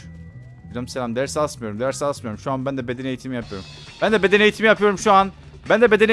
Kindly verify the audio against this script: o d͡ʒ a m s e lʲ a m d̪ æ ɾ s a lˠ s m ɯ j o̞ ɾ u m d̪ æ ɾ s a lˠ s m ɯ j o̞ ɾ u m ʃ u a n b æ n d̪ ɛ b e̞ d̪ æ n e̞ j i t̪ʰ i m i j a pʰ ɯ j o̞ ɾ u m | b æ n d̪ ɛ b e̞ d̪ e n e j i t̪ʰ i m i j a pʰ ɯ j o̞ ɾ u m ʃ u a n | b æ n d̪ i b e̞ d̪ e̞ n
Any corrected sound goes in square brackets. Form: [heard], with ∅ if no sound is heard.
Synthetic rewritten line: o d͡ʒ a m s e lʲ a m d̪ æ ɾ s a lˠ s m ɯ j o̞ ɾ u m d̪ æ ɾ s a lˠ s m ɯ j o̞ ɾ u m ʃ u a n b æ n d̪ ɛ b e̞ d̪ [e] n e̞ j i t̪ʰ i m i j a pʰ ɯ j o̞ ɾ u m | b æ n d̪ ɛ b e̞ d̪ e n e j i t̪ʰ i m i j a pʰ ɯ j o̞ ɾ u m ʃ u a n | b æ n d̪ [ɛ] b e̞ d̪ e̞ n